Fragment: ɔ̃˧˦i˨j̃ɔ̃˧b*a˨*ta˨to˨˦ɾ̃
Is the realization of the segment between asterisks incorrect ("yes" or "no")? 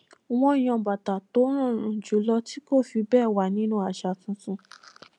no